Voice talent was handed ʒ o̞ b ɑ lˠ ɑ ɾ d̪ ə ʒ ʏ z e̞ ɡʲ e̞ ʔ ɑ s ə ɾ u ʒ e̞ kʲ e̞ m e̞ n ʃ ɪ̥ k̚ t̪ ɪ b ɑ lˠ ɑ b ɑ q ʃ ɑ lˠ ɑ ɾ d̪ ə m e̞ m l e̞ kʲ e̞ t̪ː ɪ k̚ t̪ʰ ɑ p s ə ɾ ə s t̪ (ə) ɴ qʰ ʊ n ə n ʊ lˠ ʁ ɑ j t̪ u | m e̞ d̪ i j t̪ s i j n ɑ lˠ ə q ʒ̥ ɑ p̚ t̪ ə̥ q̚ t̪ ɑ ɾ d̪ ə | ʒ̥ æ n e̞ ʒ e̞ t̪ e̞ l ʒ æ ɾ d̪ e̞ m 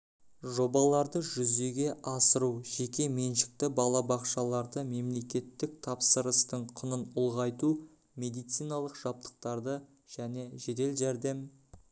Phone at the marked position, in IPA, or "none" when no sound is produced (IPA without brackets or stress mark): ə